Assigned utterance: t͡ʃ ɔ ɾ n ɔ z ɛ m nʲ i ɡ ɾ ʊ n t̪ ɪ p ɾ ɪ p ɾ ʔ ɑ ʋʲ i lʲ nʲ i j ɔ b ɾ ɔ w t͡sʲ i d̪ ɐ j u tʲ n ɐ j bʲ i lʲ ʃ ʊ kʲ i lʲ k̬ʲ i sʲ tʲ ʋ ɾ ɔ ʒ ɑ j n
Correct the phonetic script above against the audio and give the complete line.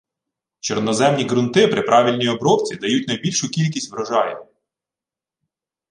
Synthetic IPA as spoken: t͡ʃ ɔ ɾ n ɔ z ɛ m nʲ i ɡ ɾ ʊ n t̪ ɪ p ɾ ɪ p ɾ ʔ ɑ ʋʲ i lʲ nʲ i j ɔ b ɾ ɔ w t͡sʲ i d̪ ɐ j u tʲ n ɐ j bʲ i lʲ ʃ ʊ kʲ i lʲ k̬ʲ i sʲ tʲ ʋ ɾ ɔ ʒ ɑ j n